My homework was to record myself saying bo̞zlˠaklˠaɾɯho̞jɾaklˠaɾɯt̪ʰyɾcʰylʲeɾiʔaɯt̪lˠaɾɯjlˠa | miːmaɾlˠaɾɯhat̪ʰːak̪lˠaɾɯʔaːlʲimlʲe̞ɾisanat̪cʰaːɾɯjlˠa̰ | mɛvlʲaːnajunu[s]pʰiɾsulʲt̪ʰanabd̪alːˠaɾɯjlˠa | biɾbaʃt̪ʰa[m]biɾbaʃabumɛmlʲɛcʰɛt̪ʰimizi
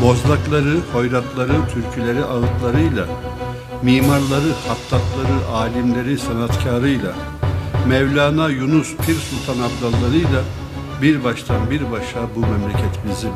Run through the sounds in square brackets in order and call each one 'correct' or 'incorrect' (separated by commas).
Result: correct, incorrect